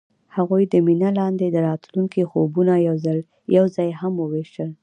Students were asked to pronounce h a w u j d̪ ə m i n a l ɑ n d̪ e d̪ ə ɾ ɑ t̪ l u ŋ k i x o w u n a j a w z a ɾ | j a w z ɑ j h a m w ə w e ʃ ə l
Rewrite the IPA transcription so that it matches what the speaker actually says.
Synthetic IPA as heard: h a ɣ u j d̪ ə m i n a l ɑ n d̪ e d̪ ə ɾ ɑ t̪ l u ŋ k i x o b u n a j a w z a l | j a w z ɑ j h a m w ə w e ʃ ə l